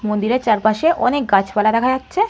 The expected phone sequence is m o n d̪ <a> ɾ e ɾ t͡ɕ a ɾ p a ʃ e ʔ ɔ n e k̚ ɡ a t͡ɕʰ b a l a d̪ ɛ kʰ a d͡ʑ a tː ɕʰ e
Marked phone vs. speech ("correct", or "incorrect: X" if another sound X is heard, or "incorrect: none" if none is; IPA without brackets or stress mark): incorrect: i